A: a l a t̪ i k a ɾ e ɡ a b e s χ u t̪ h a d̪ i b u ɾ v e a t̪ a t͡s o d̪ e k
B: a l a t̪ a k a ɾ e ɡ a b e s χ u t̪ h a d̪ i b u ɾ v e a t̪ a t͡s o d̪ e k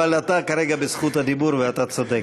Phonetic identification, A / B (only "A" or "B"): B